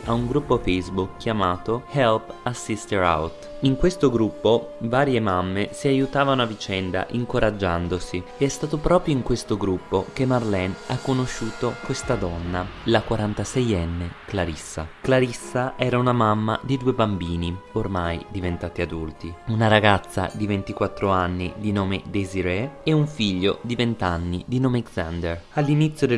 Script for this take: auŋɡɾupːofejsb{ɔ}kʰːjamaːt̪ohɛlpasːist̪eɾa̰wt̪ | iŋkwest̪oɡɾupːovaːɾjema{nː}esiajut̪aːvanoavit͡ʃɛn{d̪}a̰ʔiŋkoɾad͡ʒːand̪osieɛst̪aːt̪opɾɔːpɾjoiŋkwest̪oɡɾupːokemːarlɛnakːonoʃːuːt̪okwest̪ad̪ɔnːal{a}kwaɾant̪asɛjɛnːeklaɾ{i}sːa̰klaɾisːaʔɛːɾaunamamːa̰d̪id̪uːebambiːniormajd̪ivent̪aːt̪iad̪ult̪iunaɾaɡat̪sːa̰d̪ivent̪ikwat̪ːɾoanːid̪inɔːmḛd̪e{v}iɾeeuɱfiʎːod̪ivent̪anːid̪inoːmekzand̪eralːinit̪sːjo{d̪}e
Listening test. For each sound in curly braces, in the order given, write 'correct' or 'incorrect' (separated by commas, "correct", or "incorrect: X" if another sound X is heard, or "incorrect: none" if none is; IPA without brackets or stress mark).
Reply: incorrect: u, incorrect: mː, correct, correct, correct, incorrect: z, correct